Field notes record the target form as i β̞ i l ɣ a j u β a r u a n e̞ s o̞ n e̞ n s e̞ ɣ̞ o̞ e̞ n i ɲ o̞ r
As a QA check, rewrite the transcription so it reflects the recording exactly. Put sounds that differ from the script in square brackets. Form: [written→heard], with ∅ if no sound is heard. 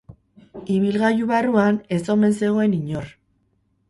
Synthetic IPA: i β̞ i l ɣ a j u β a r u a n e̞ s o̞ [n→m] e̞ n s e̞ ɣ̞ o̞ e̞ n i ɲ o̞ r